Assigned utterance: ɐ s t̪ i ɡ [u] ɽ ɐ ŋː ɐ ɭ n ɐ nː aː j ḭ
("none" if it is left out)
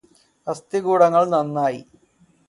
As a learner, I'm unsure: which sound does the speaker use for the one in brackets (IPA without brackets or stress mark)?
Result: uː